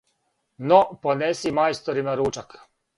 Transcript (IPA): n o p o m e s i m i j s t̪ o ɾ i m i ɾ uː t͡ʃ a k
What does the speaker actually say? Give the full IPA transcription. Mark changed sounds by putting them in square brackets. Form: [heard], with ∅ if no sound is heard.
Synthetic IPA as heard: n o p o [n] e s i m [a] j s t̪ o ɾ i m [a] ɾ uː t͡ʃ a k